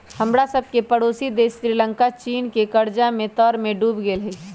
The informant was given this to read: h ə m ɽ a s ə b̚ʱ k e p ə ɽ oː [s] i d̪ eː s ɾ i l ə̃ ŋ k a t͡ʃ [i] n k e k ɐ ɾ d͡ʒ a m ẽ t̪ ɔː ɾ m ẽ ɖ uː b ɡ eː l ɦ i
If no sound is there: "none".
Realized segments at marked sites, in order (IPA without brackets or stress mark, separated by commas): s, iː